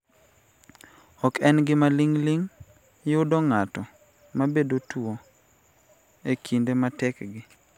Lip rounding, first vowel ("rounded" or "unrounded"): rounded